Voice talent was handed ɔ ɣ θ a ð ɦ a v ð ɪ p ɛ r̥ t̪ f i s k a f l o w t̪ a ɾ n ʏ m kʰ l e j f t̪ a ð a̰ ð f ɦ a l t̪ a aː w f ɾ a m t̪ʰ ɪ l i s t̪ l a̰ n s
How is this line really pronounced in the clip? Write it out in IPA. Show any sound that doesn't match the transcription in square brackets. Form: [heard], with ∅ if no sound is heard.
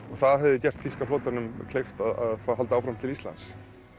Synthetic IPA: ɔ ɣ θ a ð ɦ [ɛ] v ð ɪ [c] ɛ r̥ t̪ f i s k a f l o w t̪ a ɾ n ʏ m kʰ l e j f t̪ a ð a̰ ð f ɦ a l t̪ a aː w f ɾ a m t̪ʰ ɪ l i s t̪ l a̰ n s